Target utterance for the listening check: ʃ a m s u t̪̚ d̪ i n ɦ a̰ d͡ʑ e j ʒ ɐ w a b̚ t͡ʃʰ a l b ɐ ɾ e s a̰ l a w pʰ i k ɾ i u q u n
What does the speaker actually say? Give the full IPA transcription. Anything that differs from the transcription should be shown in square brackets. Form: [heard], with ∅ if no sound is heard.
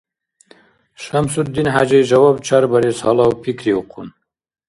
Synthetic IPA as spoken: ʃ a m s u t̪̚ d̪ i n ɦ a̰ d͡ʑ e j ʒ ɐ w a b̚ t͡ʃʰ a [ɾ] b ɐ ɾ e s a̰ l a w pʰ i k ɾ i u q u n

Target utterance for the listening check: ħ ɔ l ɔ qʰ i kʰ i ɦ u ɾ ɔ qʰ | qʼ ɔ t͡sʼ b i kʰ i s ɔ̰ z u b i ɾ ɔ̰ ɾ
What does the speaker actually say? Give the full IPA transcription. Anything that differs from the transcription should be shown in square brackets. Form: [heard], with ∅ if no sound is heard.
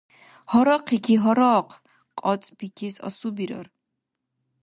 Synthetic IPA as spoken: [h] ɔ [ɾ] ɔ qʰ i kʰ i ɦ [ɔ] ɾ ɔ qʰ | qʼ ɔ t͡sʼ b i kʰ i s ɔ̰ [s] u b i ɾ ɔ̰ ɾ

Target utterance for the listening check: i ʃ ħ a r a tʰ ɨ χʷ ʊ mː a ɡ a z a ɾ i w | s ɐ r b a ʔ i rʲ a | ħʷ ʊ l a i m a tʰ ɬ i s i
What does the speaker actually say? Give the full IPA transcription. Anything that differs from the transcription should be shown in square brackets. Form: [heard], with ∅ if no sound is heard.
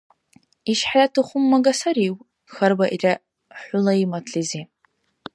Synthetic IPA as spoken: i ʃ ħ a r a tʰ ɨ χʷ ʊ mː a ɡ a [s] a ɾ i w | [x] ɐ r b a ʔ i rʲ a | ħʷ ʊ l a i m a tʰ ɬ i [z] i

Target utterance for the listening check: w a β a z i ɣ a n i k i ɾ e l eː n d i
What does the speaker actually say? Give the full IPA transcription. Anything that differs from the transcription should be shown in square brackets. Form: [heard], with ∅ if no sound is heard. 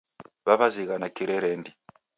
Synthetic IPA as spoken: [β] a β a z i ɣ a n [a] k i ɾ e [ɾ] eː n d i

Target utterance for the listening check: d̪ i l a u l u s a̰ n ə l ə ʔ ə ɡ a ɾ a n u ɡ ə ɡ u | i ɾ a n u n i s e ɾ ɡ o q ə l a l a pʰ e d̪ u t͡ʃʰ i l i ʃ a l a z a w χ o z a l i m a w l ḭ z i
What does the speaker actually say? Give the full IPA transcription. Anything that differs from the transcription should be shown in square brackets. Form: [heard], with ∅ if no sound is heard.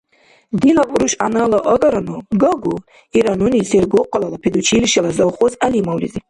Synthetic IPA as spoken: d̪ i l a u [ɾ] u [ʃ] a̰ n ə l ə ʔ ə ɡ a ɾ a n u ɡ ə ɡ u | i ɾ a n u n i s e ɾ ɡ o q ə l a l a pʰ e d̪ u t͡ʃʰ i l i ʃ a l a z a w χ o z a l i m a w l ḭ z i

